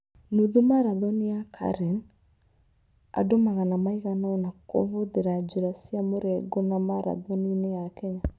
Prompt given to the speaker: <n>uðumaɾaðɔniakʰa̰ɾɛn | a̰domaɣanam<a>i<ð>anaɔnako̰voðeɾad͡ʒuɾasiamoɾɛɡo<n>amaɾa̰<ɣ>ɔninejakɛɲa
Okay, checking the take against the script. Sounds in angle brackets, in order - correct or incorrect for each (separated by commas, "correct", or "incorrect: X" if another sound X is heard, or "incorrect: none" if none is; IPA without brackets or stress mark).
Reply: correct, correct, incorrect: ɣ, correct, incorrect: ð